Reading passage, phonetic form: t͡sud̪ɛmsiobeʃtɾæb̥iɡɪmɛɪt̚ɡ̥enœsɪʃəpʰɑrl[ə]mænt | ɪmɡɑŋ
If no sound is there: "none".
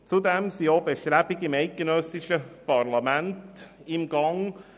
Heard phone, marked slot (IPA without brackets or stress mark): ɑ